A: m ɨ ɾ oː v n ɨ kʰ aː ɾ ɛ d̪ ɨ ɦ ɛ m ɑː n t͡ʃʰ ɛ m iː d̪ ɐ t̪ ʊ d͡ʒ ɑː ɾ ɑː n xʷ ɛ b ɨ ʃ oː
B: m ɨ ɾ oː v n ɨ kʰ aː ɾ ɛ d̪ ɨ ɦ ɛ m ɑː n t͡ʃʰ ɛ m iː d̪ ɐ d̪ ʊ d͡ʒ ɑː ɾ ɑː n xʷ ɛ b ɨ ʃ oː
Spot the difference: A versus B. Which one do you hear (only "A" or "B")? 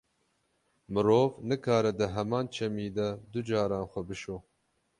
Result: B